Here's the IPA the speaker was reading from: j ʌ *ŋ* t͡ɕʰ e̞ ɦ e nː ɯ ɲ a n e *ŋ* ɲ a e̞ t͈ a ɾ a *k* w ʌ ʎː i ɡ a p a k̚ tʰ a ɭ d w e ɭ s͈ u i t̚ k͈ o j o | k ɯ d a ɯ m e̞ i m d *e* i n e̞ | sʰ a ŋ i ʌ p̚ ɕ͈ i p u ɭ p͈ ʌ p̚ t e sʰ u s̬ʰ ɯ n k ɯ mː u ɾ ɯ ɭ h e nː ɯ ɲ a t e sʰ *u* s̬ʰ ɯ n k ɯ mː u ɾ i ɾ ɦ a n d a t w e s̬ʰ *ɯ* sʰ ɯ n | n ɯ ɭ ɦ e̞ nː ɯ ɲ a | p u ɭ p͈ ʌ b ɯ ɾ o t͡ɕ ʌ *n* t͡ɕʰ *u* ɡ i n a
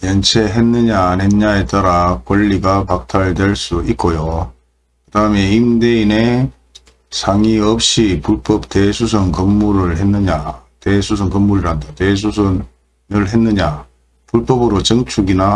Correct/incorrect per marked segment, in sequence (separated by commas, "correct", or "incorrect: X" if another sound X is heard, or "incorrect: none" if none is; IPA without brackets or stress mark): incorrect: n, incorrect: n, correct, correct, correct, incorrect: u, incorrect: ŋ, correct